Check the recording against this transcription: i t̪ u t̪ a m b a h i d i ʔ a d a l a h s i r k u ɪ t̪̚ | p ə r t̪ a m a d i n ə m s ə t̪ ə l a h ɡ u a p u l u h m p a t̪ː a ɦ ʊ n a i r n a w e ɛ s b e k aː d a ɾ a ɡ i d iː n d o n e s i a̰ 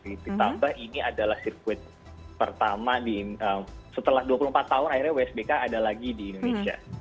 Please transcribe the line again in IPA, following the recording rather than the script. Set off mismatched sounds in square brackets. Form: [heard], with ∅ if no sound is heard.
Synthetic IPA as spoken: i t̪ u t̪ a m b a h i [n] i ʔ a d a l a h s i r k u ɪ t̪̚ | p ə r t̪ a m a d i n ə m s ə t̪ ə l a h [d] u a p u l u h m p a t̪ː a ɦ ʊ n a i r [ɲ] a w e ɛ s b e k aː d a [l] a ɡ i d iː n d o n e s i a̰